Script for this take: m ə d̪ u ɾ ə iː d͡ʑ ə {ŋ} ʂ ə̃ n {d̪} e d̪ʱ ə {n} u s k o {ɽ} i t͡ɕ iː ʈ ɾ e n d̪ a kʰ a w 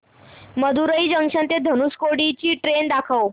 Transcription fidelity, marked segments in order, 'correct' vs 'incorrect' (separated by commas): correct, incorrect, correct, correct